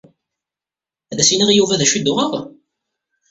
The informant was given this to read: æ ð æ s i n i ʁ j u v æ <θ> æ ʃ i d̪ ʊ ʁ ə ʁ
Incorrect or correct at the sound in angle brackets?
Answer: incorrect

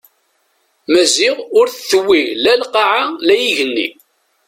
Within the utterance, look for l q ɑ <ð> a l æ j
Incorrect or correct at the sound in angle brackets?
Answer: incorrect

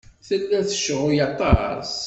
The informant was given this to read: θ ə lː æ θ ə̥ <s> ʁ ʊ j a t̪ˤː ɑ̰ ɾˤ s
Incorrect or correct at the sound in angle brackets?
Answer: incorrect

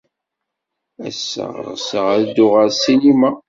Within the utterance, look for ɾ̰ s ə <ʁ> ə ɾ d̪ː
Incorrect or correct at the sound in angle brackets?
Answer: correct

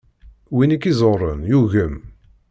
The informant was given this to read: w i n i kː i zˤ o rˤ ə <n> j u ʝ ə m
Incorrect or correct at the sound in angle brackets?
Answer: correct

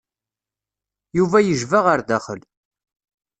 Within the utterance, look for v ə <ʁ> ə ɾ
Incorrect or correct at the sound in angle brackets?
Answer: correct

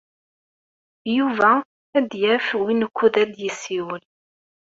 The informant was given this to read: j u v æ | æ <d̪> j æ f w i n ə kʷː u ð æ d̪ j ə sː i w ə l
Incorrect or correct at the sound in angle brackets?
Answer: correct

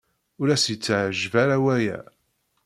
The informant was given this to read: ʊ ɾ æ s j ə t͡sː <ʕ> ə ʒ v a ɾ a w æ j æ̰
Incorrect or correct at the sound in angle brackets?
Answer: correct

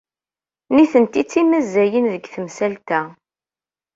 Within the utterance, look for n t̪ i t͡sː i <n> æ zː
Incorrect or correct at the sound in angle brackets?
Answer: incorrect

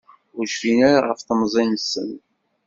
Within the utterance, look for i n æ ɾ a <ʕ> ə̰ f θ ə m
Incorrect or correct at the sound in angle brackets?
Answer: incorrect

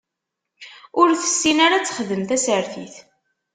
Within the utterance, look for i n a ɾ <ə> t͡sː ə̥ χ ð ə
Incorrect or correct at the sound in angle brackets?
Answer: incorrect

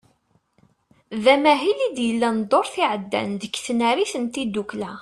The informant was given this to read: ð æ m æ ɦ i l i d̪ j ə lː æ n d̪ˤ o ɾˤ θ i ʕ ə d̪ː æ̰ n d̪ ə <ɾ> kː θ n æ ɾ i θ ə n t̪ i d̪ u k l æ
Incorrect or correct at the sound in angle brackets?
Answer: incorrect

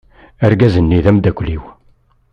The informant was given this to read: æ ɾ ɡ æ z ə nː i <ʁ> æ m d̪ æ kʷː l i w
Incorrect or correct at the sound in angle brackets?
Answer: incorrect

